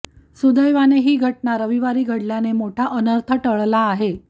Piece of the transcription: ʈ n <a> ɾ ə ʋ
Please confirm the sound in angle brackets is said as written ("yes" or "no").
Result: yes